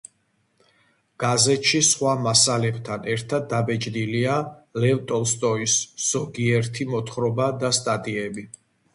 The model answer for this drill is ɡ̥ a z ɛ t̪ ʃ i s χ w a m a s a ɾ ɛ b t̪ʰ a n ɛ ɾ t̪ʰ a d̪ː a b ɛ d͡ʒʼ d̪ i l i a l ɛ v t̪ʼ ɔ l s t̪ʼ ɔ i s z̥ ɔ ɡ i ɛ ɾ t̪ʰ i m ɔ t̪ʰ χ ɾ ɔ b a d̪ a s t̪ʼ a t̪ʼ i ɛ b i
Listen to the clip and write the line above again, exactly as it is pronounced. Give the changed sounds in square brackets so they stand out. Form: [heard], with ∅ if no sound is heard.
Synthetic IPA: ɡ̥ a z ɛ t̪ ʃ i s χ w a m a s a [l] ɛ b t̪ʰ a n ɛ ɾ t̪ʰ a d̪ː a b ɛ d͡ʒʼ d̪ i l i a l ɛ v t̪ʼ ɔ l s t̪ʼ ɔ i s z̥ ɔ ɡ i ɛ ɾ t̪ʰ i m ɔ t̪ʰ χ ɾ ɔ b a d̪ a s t̪ʼ a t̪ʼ i ɛ b i